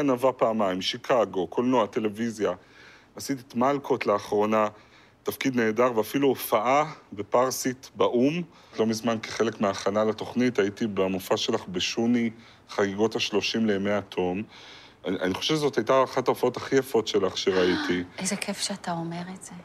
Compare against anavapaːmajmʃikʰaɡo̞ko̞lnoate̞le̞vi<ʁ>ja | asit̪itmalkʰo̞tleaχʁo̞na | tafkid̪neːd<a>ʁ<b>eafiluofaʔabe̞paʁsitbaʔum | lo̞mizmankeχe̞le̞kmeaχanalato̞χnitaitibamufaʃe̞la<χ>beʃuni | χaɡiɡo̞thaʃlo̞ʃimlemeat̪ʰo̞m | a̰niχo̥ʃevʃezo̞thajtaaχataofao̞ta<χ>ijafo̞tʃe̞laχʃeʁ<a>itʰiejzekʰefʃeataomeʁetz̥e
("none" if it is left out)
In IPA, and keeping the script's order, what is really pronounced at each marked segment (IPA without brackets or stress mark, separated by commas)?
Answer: z, a, v, χ, χ, a